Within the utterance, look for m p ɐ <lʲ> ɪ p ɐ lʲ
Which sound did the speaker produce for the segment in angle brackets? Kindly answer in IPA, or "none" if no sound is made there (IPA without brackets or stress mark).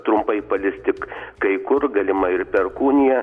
none